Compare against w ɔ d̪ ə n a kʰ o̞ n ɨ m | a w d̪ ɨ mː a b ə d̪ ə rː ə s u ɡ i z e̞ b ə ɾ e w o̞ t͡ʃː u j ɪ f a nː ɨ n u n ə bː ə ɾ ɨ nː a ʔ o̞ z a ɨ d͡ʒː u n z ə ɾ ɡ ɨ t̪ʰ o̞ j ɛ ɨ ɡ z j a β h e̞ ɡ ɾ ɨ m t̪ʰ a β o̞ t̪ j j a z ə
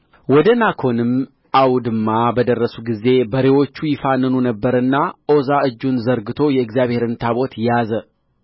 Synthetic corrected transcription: w ɔ d̪ ə n a kʰ o̞ n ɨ m | a w d̪ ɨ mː a b ə d̪ ə rː ə s u ɡ i z e̞ b ə ɾ e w o̞ t͡ʃː u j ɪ f a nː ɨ n u n ə bː ə ɾ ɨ nː a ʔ o̞ z a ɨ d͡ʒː u n z ə ɾ ɡ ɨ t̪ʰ o̞ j ɛ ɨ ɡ z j a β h e̞ ɾ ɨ n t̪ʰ a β o̞ t̪ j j a z ə